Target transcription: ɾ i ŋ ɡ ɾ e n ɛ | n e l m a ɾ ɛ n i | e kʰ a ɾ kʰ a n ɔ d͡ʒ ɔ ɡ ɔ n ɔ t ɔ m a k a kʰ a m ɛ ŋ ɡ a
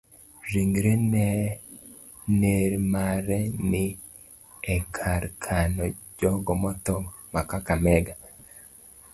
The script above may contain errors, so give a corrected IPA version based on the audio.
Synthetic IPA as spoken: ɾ i ŋ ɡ ɾ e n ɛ | n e ɾ m a ɾ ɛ n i | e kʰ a ɾ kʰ a n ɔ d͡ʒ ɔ ɡ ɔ m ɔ t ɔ m a k a k a m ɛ ɡ a

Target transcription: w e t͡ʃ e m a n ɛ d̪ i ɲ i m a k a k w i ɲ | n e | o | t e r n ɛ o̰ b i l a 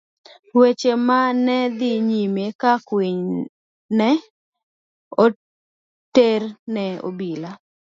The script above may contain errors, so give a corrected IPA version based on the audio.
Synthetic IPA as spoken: w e t͡ʃ e m a n ɛ d̪ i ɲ i m e k a k w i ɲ | n ɛ | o | t e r n ɛ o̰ b i l a

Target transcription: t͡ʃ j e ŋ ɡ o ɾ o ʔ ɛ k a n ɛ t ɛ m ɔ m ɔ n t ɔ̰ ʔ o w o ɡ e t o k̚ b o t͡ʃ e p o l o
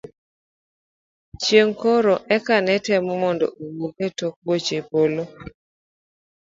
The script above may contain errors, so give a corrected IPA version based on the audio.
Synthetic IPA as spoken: t͡ʃ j e ŋ k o ɾ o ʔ ɛ k a n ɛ t ɛ m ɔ m ɔ n d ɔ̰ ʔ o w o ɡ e t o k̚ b o t͡ʃ e p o l o

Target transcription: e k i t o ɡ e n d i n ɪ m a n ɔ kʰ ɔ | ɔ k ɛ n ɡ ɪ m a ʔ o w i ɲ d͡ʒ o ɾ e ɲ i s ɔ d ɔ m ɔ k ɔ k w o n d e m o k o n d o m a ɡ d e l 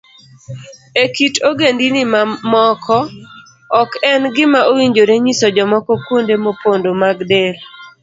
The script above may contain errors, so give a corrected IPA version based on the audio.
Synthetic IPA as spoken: e k i t o ɡ e n d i n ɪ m a m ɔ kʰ ɔ | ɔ k ɛ n ɡ ɪ m a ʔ o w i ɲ d͡ʒ o ɾ e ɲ i s ɔ d͡ʒ ɔ m ɔ k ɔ k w o n d e m o p o n d o m a ɡ d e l

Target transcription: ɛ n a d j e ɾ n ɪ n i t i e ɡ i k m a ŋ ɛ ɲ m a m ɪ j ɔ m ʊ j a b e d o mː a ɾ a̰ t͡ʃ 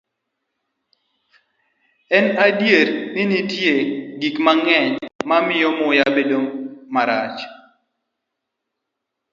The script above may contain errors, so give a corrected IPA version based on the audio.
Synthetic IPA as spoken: ɛ n a d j e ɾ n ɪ n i t j e ɡ i k m a ŋ ɛ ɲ m a m ɪ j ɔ m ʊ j a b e d o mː a ɾ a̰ t͡ʃ

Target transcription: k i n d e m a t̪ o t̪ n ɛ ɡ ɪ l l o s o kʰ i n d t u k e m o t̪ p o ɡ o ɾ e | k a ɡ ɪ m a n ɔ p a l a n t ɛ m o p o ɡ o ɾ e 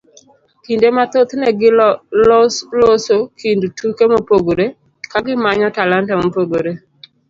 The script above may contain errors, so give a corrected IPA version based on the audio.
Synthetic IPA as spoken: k i n d e m a t̪ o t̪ n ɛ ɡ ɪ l l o s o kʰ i n d t u k e m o p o ɡ o ɾ e | k a ɡ ɪ m a ɲ ɔ t a l a n t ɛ m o p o ɡ o ɾ e

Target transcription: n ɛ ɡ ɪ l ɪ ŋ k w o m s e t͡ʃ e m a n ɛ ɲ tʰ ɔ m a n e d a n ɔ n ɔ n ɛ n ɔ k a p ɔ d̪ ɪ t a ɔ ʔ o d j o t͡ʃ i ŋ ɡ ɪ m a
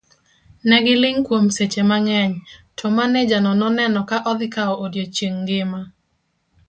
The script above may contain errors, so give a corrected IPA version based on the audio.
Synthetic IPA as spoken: n ɛ ɡ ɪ l ɪ ŋ k w o m s e t͡ʃ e m a ŋ ɛ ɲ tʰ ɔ m a n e d͡ʒ a n ɔ n ɔ n ɛ n ɔ k a ʔ ɔ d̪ ɪ k a ɔ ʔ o d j o t͡ʃ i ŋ ɡ ɪ m a

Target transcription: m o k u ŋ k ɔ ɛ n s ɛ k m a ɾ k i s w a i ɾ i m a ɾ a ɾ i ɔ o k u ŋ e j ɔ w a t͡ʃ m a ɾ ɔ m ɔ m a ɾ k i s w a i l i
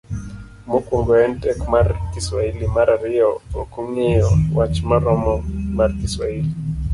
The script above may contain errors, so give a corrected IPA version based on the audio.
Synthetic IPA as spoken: m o k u ŋ ɡ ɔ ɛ n t ɛ k m a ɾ k i s w a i l i m a ɾ a ɾ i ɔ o k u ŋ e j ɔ w a t͡ʃ m a ɾ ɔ m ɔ m a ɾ k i s w a i l i

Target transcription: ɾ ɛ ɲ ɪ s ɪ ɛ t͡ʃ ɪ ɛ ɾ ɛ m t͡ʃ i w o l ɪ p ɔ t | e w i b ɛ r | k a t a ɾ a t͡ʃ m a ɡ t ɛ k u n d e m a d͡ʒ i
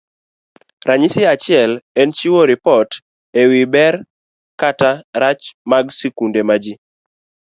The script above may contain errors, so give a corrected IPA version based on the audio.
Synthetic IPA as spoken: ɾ a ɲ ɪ s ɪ a t͡ʃ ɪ ɛ l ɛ n t͡ʃ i w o ɾ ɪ p ɔ t | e w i b ɛ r | k a t a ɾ a t͡ʃ m a ɡ s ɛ k u n d e m a d͡ʒ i

